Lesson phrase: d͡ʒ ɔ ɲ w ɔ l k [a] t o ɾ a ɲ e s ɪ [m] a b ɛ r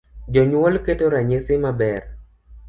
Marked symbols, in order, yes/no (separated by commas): no, yes